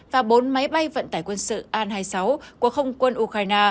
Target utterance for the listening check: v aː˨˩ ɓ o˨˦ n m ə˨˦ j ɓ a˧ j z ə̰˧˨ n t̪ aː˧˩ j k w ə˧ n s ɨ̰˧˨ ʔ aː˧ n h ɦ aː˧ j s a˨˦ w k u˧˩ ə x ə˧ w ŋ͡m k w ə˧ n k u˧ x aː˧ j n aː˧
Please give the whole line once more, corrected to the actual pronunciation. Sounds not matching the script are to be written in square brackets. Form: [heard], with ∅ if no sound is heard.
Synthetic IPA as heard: v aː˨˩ ɓ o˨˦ n m [a˨˦] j ɓ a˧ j [v] ə̰˧˨ n t̪ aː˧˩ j k w ə˧ n s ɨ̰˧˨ ʔ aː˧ n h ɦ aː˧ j s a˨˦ w k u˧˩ ə x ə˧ w ŋ͡m k w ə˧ n [ʔ] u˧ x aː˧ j n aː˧